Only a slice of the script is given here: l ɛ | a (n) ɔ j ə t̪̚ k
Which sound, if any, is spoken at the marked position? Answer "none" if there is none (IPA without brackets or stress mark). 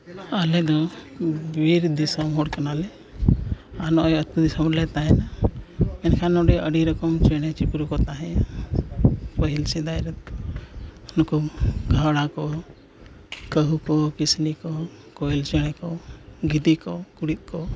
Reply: n